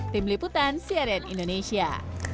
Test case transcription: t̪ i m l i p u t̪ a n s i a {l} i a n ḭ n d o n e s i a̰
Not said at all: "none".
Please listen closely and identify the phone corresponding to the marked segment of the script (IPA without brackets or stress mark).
ɾ